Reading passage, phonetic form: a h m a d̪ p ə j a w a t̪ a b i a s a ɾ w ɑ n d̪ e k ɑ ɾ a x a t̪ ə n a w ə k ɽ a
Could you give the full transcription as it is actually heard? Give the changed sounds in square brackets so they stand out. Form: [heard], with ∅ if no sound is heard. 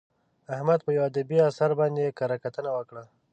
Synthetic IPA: a h m a d̪ p ə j a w a [d̪] a b i a s a ɾ [b] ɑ n d̪ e k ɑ ɾ a [k] a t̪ ə n a w ə k ɽ a